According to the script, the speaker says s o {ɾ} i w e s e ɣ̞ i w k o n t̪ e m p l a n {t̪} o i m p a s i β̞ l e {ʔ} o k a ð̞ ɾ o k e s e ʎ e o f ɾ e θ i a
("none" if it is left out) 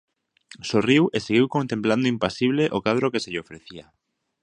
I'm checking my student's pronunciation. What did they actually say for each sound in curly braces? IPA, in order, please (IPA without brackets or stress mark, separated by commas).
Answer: r, d̪, ʔ